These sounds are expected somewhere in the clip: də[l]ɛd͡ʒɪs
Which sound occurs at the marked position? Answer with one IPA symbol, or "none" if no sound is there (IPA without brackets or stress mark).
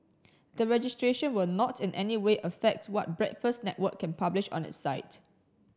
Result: ɹ